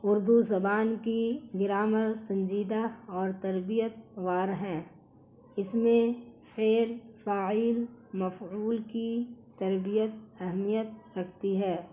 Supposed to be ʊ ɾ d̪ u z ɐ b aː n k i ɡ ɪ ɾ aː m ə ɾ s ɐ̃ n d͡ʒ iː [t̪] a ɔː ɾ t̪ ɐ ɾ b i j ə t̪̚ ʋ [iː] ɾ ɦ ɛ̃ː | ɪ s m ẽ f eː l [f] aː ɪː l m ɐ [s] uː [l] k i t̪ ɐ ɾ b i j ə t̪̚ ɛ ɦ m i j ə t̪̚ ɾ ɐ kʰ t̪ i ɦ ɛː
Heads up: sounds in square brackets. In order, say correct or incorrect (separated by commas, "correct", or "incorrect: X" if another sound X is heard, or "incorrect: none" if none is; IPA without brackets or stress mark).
incorrect: d̪, incorrect: aː, correct, incorrect: f, correct